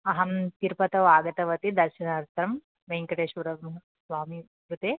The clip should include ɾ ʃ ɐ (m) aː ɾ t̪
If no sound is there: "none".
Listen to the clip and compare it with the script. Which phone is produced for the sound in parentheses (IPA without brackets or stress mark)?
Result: n